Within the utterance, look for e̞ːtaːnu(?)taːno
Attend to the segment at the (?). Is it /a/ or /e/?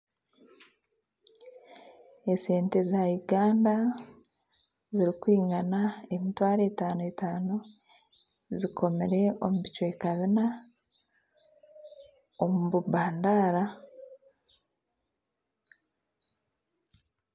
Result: e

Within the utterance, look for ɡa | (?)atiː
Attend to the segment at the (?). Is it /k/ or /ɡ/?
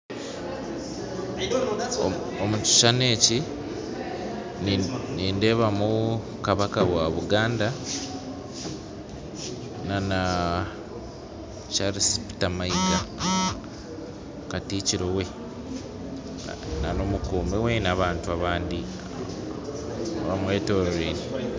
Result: k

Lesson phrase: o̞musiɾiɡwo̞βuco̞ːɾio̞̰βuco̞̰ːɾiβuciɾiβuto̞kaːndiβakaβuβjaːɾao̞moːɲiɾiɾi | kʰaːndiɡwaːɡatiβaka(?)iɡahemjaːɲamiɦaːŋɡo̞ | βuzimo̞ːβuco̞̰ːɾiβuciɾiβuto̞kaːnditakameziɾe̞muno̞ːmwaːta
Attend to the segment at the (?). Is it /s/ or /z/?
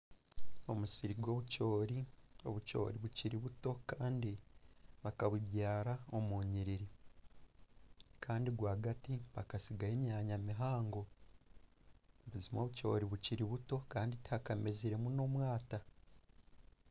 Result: s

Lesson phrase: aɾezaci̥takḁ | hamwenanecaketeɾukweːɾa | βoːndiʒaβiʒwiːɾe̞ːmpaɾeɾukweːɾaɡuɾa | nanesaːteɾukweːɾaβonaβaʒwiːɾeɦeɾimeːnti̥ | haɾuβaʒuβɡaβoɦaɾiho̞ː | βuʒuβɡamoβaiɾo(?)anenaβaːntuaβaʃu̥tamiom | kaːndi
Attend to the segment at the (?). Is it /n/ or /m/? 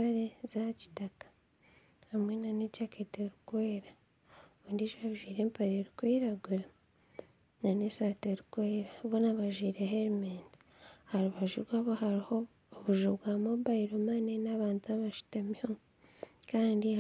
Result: m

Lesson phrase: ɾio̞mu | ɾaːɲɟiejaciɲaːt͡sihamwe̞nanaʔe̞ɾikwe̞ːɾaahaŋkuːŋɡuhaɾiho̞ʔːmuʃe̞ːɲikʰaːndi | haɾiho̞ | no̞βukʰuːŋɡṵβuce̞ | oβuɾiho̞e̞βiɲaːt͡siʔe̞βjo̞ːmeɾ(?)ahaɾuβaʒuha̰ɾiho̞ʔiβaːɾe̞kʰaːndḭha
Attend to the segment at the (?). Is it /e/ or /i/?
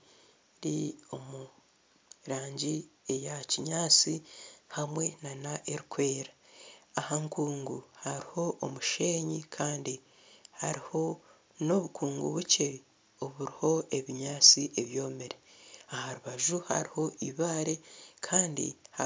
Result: e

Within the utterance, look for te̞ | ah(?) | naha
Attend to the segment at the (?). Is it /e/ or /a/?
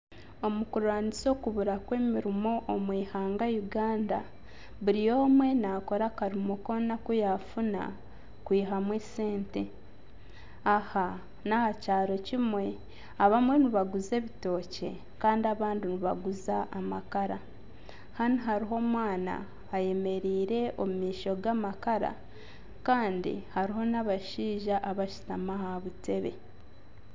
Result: a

